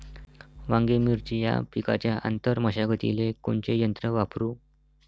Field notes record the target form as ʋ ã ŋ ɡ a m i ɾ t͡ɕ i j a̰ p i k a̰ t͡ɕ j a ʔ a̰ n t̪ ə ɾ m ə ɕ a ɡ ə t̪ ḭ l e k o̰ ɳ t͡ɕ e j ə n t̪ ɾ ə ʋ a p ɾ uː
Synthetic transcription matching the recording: ʋ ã ŋ ɡ e m i ɾ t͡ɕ i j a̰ p i k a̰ t͡ɕ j a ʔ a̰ n t̪ ə ɾ m ə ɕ a ɡ ə t̪ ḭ l e k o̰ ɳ t͡ɕ e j ə n t̪ ɾ ə ʋ a p ɾ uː